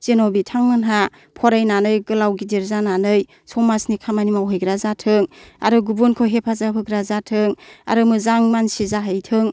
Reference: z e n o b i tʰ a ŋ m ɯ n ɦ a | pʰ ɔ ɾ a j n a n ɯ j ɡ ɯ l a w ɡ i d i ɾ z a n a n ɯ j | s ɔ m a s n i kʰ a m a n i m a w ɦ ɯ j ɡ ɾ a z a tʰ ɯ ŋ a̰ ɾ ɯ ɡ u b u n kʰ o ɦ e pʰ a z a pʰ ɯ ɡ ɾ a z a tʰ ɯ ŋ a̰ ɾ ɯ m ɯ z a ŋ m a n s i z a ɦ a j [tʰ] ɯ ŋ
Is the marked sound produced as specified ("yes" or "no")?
yes